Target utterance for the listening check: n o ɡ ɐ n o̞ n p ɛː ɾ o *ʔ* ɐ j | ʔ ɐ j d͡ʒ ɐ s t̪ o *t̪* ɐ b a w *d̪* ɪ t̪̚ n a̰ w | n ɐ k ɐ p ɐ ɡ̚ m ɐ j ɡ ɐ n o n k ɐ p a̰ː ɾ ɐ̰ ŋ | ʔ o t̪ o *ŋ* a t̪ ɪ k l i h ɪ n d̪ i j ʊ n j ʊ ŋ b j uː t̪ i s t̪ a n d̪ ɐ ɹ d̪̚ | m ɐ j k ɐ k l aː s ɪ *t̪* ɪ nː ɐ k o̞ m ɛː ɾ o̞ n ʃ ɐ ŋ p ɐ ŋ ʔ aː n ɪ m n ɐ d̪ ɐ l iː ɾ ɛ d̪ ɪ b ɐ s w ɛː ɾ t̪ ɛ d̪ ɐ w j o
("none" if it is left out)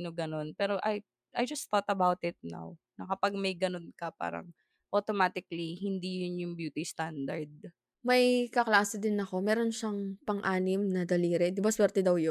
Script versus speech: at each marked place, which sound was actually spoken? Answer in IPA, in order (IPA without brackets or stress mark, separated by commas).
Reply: ʔ, t̪, t̪, m, d̪